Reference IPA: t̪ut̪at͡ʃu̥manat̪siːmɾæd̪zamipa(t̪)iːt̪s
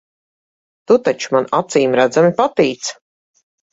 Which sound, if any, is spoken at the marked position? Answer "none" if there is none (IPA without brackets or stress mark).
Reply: t̪